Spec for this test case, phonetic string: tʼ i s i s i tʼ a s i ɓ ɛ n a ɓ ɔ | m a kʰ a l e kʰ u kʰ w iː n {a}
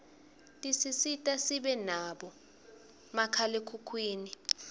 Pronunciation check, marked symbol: incorrect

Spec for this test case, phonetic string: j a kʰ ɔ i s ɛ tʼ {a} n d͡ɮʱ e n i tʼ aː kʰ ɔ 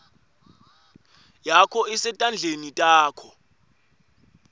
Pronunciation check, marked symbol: correct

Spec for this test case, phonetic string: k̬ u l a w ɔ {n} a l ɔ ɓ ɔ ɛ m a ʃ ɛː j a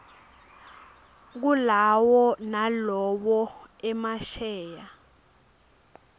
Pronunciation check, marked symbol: correct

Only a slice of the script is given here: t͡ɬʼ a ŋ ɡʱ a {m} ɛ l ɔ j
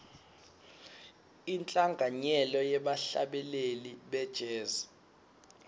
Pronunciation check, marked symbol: incorrect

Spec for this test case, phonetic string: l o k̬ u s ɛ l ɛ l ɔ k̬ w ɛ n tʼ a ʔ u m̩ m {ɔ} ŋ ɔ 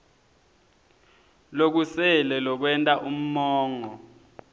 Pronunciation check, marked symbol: incorrect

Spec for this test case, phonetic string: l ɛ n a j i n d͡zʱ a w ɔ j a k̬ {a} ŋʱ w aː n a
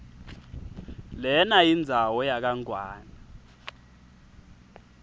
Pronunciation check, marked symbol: correct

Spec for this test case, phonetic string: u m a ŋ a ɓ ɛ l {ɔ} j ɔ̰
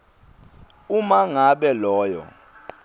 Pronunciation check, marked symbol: incorrect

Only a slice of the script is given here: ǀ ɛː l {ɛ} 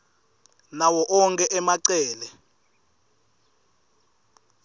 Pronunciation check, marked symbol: correct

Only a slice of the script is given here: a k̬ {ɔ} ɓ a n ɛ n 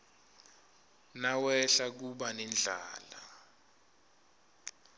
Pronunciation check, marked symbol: incorrect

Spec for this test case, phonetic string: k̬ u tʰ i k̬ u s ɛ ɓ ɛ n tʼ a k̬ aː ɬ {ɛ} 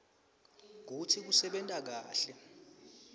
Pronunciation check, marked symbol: correct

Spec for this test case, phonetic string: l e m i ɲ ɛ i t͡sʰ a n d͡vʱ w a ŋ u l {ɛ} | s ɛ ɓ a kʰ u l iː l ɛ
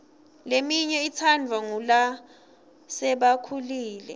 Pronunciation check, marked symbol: incorrect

